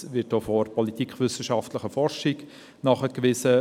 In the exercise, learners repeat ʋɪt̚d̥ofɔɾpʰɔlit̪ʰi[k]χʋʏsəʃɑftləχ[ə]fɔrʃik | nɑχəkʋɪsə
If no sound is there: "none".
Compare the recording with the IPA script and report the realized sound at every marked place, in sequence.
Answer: k, ə

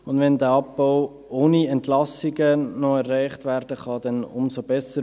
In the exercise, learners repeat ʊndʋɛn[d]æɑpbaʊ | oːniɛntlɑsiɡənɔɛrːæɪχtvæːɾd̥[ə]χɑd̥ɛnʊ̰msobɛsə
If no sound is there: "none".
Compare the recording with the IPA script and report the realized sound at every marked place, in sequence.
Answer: d, ə

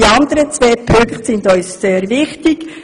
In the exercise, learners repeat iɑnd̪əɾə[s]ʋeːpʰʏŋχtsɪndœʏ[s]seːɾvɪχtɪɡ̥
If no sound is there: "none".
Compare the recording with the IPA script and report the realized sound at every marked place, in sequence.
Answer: t͡s, s

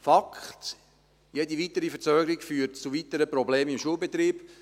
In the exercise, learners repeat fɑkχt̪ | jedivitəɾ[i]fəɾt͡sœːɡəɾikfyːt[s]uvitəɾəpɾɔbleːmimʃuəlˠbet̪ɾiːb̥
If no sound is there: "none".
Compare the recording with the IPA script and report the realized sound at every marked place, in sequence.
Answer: i, t͡s

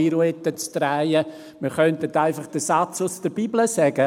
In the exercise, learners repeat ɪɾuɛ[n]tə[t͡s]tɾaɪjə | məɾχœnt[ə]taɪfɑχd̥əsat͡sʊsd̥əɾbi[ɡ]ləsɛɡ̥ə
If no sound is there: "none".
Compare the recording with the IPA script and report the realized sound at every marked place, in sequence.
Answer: none, t͡s, ə, b

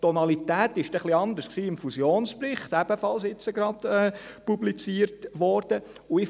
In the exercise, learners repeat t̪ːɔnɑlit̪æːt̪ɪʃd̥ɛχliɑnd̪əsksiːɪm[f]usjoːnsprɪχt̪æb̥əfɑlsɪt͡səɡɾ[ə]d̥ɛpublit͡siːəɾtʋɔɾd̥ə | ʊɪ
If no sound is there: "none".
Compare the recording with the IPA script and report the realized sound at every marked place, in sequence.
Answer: f, ɑ

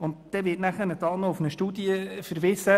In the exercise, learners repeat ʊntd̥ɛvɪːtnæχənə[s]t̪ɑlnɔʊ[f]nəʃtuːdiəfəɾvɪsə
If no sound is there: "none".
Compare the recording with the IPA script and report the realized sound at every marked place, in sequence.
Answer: none, f

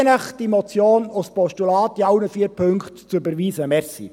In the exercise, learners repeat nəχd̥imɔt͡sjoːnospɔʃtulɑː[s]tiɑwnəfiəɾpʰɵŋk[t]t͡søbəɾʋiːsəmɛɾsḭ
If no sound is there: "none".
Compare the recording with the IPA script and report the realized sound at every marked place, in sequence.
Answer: none, t

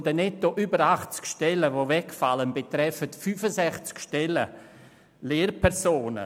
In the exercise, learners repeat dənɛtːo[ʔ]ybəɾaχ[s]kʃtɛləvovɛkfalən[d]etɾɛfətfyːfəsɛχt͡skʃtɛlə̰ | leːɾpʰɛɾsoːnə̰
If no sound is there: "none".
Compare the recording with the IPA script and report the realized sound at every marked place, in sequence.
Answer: ʔ, t͡s, b

